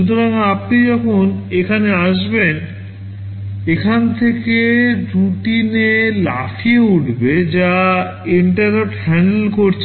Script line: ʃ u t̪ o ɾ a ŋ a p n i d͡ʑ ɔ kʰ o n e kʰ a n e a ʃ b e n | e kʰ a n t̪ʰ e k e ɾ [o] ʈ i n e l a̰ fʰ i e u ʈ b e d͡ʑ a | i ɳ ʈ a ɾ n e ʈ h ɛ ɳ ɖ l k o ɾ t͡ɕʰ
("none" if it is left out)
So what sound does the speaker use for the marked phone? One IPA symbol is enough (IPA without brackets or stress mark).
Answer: u